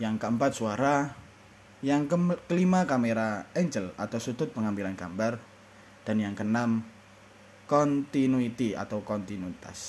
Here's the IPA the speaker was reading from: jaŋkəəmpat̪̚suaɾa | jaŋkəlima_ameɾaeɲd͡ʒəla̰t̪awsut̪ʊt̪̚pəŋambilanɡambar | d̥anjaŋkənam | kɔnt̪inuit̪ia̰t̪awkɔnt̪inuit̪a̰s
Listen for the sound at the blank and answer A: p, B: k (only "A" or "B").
B